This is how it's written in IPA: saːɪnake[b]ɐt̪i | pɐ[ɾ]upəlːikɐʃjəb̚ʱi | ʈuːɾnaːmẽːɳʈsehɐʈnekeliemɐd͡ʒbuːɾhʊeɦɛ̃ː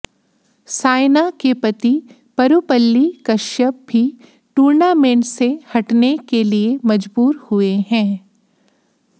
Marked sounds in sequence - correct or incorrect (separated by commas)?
incorrect, correct